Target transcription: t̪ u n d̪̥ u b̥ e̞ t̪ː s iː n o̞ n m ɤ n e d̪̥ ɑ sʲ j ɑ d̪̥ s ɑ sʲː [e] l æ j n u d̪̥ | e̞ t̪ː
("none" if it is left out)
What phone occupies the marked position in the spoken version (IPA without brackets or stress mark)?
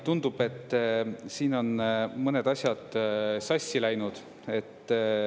i